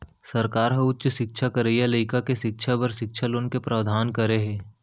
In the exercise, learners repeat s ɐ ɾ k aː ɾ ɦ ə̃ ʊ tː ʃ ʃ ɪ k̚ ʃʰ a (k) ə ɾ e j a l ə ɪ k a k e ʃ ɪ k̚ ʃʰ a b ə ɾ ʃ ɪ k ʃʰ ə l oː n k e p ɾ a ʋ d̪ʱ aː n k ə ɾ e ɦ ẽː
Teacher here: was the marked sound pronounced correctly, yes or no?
yes